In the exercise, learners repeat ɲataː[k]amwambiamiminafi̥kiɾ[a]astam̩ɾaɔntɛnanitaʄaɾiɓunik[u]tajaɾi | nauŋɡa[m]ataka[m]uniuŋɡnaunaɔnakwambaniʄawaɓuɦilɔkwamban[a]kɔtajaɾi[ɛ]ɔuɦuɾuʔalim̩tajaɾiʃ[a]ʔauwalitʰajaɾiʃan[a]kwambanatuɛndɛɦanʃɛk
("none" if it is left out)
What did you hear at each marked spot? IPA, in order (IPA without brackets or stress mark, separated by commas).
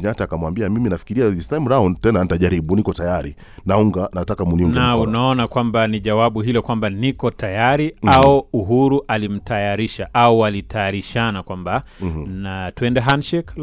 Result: k, i, ɔ, n, m, i, a, a, a